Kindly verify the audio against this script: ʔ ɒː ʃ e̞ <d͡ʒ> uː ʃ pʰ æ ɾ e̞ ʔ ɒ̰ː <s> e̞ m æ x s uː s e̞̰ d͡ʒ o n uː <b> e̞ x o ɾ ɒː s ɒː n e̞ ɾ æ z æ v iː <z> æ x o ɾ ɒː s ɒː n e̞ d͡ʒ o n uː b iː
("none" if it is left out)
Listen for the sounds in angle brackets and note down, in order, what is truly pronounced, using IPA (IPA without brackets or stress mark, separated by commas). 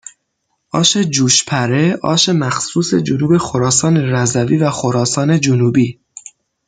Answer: d͡ʒ, ʃ, b, v